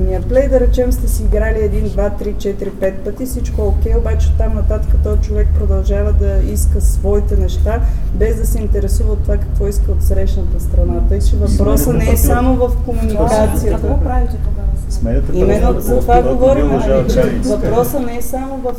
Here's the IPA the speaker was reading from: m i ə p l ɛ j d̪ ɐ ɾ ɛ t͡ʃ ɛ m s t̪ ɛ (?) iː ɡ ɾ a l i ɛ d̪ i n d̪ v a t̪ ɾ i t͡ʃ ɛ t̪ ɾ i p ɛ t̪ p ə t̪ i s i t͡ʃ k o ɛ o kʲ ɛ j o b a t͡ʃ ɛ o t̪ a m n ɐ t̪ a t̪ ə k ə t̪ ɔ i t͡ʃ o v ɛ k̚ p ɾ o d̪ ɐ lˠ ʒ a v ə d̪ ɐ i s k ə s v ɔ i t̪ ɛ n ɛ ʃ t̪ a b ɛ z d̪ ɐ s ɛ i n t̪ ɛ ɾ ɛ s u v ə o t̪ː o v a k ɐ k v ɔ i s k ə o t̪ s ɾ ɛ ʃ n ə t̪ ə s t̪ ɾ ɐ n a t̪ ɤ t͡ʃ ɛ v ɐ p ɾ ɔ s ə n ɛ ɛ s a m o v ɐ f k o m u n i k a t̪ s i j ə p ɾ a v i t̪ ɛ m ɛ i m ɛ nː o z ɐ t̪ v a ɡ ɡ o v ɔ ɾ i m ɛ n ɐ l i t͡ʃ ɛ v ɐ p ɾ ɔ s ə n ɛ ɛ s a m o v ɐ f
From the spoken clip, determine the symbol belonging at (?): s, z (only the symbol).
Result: s